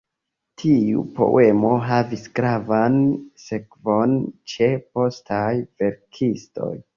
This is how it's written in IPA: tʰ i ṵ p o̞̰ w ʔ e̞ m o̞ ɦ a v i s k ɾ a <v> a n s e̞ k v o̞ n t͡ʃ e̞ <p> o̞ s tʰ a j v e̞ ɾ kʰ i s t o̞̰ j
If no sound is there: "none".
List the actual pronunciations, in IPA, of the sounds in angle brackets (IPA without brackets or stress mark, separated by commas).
v, p